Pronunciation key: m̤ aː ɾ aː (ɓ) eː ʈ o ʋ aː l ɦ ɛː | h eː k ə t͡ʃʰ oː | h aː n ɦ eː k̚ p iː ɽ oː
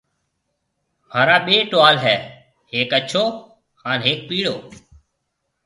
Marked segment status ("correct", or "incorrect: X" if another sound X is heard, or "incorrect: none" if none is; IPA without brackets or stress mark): correct